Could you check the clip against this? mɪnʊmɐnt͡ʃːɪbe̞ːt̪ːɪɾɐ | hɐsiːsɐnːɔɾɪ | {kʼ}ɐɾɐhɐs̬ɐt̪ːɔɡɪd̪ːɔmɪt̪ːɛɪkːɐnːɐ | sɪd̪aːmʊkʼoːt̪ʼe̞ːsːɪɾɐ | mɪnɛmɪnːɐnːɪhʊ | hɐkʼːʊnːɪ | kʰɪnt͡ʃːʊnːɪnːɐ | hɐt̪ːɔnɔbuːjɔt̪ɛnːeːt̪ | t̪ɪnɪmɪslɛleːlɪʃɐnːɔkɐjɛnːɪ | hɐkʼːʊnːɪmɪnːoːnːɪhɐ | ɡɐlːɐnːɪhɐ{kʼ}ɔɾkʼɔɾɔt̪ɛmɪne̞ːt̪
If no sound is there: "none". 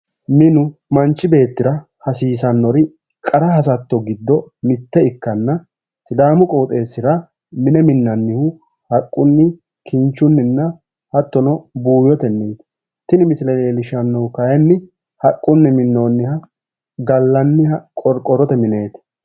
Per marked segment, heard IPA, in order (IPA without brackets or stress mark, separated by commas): kʼ, kʼ